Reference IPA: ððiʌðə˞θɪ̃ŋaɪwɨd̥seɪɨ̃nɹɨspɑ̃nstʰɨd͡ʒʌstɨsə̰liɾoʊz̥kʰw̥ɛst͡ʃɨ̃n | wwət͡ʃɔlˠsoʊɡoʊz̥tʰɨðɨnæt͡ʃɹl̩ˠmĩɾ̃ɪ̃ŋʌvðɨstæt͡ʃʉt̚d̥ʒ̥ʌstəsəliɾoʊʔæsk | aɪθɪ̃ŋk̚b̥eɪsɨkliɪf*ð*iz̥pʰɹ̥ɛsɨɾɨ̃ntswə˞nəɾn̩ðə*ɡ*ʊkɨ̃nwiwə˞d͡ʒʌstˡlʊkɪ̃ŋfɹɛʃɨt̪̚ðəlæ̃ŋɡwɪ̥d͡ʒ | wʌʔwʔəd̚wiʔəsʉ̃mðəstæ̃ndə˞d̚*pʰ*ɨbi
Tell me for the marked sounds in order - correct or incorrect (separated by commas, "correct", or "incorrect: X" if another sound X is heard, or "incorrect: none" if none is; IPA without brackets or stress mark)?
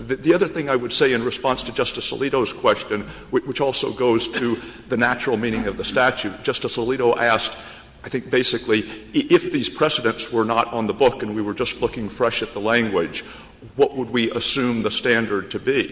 correct, incorrect: b, incorrect: tʰ